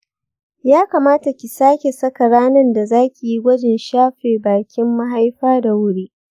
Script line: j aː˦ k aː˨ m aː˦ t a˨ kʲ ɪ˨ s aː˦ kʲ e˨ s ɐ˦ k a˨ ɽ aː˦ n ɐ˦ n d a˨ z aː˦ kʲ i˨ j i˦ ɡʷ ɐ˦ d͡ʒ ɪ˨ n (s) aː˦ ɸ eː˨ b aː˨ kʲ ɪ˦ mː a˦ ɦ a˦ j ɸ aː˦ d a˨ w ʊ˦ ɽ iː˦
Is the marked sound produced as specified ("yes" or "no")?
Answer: no